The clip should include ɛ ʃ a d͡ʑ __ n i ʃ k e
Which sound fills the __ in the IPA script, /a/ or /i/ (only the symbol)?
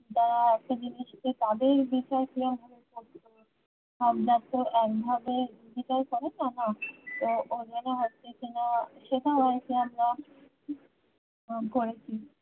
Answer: i